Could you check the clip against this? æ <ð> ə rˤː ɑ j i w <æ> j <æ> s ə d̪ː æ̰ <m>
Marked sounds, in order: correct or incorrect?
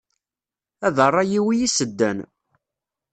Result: correct, incorrect: i, incorrect: i, incorrect: n

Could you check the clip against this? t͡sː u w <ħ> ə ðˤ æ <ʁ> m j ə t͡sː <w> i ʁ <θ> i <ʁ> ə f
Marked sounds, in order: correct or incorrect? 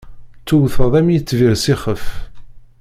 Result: incorrect: θ, incorrect: none, incorrect: v, incorrect: s, incorrect: χ

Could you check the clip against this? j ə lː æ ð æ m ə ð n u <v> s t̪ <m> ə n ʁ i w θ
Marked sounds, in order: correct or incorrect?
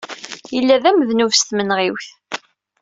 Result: correct, correct

